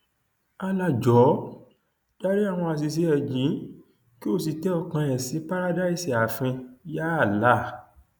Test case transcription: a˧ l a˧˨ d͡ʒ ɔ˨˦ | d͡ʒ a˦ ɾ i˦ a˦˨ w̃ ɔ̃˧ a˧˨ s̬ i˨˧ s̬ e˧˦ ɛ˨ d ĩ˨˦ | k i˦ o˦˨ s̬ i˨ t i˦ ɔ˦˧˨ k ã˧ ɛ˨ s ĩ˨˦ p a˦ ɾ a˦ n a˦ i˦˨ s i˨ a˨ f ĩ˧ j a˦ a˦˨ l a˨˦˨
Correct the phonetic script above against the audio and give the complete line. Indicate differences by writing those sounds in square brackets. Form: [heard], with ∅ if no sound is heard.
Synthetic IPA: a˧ l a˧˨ d͡ʒ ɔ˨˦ | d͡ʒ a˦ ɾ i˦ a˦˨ w̃ ɔ̃˧ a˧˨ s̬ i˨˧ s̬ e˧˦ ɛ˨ [d͡ʒ] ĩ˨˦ | k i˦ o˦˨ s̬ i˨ t [ɛ˦] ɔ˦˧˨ k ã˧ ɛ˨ s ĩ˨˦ p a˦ ɾ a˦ [d] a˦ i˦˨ s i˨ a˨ f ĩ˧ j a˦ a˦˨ l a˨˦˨